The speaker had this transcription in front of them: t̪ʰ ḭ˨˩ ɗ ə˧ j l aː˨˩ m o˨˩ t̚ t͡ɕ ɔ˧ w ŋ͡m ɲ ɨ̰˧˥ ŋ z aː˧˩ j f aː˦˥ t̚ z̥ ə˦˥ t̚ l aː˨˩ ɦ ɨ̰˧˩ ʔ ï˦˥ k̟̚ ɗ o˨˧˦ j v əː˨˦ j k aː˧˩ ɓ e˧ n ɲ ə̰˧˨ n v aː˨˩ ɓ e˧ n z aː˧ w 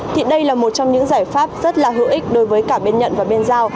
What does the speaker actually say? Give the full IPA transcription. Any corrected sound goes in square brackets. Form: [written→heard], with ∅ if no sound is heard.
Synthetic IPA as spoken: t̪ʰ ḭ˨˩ ɗ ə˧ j l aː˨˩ m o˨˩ t̚ t͡ɕ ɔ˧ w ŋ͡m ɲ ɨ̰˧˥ ŋ z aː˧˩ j f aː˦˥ [t̚→p̚] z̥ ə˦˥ t̚ l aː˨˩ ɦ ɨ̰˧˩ ʔ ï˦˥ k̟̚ ɗ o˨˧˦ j v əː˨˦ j k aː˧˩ ɓ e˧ n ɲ ə̰˧˨ n v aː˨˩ ɓ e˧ n z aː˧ w

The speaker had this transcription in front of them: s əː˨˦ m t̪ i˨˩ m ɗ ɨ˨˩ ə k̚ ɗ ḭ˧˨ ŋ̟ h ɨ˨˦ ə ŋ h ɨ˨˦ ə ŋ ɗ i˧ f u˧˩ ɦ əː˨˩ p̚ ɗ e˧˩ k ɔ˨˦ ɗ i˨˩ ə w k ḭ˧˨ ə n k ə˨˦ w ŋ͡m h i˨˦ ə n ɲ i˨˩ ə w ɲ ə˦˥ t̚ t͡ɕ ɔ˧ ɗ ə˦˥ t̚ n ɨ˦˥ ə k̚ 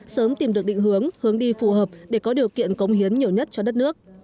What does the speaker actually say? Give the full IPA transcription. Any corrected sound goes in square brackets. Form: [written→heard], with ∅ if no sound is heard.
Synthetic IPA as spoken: s əː˨˦ m t̪ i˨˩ m ɗ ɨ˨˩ ə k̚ ɗ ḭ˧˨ ŋ̟ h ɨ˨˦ ə ŋ h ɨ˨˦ ə ŋ ɗ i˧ f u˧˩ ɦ əː˨˩ p̚ ɗ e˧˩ k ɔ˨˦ ɗ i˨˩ ə w k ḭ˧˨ ə n k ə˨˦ w ŋ͡m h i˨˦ ə n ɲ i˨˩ ə w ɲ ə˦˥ t̚ t͡ɕ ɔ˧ ɗ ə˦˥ t̚ n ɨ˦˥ ə k̚

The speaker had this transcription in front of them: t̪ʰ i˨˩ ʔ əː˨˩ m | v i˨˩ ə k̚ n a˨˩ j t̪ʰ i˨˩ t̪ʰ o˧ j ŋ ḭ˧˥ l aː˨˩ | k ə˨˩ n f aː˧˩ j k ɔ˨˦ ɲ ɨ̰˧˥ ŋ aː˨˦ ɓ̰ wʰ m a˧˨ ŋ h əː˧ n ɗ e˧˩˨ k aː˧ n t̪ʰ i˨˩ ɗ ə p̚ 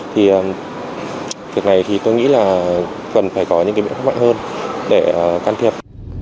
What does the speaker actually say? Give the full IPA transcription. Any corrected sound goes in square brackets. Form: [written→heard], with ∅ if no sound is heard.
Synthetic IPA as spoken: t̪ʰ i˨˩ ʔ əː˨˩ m | v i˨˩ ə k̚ n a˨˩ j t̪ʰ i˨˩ [t̪ʰ→t̪] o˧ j ŋ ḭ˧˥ l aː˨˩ | k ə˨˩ n f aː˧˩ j k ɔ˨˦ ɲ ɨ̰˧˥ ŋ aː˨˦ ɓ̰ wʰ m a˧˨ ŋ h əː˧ n ɗ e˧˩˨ k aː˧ n t̪ʰ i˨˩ [ɗ→∅] ə p̚

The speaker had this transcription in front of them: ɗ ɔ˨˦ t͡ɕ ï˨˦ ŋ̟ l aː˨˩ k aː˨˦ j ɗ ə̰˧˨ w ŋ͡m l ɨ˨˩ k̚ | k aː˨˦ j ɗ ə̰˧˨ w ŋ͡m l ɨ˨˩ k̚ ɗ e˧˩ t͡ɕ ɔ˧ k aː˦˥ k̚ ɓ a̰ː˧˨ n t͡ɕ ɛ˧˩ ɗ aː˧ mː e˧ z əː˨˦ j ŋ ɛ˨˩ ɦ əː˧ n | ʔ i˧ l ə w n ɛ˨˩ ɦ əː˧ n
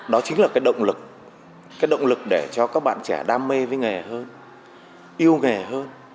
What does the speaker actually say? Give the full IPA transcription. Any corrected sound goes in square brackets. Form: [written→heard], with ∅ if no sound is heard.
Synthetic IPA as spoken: ɗ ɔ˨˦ t͡ɕ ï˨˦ ŋ̟ l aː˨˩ k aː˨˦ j ɗ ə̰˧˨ w ŋ͡m l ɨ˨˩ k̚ | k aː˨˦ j ɗ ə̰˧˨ w ŋ͡m l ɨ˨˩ k̚ ɗ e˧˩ t͡ɕ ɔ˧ k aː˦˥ k̚ ɓ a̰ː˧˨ n t͡ɕ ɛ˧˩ ɗ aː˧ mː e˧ [z→v] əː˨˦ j ŋ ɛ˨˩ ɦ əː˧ n | ʔ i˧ [l→∅] ə w [n→ŋ] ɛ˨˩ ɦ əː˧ n

